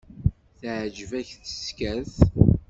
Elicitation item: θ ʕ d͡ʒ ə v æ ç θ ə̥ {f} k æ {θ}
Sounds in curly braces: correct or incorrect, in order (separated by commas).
incorrect, correct